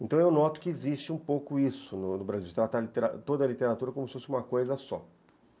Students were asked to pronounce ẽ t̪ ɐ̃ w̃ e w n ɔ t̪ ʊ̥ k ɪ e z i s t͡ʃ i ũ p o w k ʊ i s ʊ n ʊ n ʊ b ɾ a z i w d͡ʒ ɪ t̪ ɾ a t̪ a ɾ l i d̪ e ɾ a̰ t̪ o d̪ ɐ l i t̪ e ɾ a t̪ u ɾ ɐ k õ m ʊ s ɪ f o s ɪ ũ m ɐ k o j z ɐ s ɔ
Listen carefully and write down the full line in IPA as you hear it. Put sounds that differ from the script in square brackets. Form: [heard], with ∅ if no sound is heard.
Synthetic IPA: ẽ t̪ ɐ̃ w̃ e w n ɔ t̪ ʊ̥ k ɪ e z i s t͡ʃ [ɪ] ũ p o w k ʊ i s ʊ n ʊ n ʊ b ɾ a z i w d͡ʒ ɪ t̪ ɾ a t̪ a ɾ l i [t̪] e ɾ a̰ t̪ o d̪ ɐ l i t̪ e ɾ a t̪ u ɾ ɐ k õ m ʊ s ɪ f o s ɪ ũ m ɐ k o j z ɐ s ɔ